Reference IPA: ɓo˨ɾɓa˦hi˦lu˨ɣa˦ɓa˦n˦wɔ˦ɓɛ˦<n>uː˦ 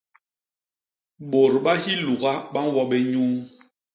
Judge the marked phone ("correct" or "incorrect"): incorrect